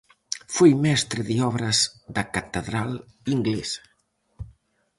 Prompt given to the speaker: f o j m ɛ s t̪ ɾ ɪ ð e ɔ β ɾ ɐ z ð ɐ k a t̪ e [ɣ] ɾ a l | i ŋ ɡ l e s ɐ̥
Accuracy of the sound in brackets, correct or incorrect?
incorrect